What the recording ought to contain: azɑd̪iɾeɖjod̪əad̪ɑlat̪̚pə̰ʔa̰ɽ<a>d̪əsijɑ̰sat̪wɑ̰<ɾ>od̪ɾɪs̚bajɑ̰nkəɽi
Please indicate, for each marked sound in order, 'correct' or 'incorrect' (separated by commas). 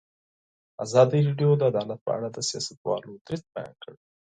correct, incorrect